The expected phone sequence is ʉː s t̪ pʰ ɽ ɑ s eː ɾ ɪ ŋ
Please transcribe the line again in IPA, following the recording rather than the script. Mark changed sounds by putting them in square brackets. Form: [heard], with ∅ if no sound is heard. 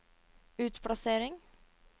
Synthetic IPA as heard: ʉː [∅] t̪ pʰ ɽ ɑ s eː ɾ ɪ ŋ